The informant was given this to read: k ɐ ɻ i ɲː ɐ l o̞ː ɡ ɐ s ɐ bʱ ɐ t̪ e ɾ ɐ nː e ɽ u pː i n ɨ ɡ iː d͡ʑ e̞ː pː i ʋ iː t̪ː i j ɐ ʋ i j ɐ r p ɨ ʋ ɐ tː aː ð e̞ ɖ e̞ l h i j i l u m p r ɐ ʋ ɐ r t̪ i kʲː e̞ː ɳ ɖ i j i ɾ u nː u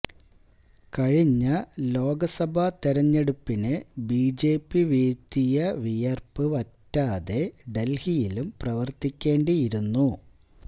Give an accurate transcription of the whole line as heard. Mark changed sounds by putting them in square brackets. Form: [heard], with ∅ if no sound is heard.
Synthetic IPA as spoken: k ɐ ɻ i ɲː ɐ l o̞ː ɡ ɐ s ɐ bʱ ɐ t̪ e ɾ ɐ [ɲː] e ɽ u pː i n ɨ [b] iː d͡ʑ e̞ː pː i ʋ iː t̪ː i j ɐ ʋ i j ɐ r p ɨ ʋ ɐ tː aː ð e̞ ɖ e̞ l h i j i l u m p r ɐ ʋ ɐ r t̪ i kʲː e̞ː ɳ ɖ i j i ɾ u nː u